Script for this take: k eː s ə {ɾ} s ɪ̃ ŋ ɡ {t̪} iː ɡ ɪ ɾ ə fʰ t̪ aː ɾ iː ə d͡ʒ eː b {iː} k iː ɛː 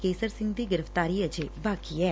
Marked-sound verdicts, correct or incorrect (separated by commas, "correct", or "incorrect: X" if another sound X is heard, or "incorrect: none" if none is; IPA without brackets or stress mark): correct, incorrect: d̪, incorrect: aː